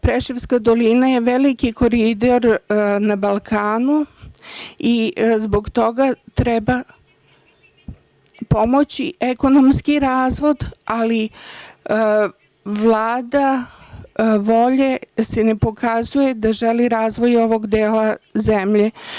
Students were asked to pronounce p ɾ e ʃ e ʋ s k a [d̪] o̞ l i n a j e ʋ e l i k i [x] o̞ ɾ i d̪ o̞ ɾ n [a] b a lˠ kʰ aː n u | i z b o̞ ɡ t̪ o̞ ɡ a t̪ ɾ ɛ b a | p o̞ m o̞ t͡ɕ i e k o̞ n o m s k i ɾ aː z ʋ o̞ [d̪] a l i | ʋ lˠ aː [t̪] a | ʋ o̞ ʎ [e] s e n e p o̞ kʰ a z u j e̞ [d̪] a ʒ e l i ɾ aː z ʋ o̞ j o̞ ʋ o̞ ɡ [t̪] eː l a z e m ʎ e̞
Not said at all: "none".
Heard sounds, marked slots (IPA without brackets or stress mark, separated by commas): d̪, k, a, d̪, d̪, e, d̪, d̪